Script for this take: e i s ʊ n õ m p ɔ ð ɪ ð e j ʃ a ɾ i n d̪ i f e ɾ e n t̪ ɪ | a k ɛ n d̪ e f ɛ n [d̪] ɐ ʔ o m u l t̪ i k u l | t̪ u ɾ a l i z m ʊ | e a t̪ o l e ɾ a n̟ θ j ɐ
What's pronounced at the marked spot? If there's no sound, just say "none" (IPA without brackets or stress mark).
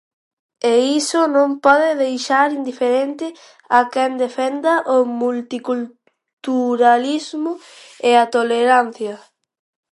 d̪